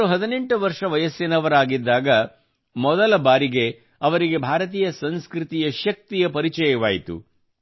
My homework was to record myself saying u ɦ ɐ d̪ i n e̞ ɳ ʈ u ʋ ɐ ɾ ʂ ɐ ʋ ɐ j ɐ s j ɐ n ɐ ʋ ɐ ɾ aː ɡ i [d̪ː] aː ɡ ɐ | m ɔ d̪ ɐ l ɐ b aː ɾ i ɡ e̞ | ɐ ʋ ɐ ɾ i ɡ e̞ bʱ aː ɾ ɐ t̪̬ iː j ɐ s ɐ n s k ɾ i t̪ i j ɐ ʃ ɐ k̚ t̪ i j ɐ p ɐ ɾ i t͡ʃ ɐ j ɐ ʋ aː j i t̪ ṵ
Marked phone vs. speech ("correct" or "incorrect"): correct